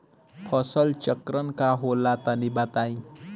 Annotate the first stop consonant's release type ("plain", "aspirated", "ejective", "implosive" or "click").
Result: aspirated